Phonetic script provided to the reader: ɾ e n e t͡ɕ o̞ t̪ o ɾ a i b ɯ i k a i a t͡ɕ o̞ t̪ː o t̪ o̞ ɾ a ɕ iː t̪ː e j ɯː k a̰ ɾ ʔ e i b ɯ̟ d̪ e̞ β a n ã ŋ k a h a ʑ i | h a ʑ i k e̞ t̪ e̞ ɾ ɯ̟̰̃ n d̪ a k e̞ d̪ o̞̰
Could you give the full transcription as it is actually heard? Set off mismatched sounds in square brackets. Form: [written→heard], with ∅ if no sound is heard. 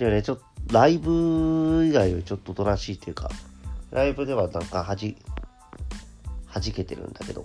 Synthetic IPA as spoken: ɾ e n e t͡ɕ o̞ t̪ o ɾ a i b ɯ i [k→ɡ] a i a t͡ɕ o̞ t̪ː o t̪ o̞ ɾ a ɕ iː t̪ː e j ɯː k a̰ ɾ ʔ [e→a] i b ɯ̟ d̪ e̞ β a n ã ŋ k a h a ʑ i | h a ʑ i k e̞ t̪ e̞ ɾ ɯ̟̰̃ n d̪ a k e̞ d̪ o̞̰